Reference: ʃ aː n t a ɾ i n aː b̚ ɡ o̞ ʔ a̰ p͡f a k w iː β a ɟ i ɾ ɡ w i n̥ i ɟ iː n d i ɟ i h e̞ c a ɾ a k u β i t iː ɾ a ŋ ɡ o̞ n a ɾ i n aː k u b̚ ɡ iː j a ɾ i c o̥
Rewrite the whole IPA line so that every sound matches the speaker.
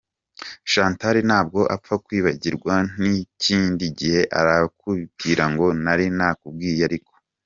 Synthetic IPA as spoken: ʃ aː n t a ɾ i n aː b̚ ɡ o̞ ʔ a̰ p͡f a k w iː β a ɟ i ɾ ɡ w a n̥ i c iː n d i ɟ i h e̞ ʔ a ɾ a k u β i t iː ɾ a ŋ ɡ o̞ n a ɾ i n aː k u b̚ ɡ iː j a ɾ i k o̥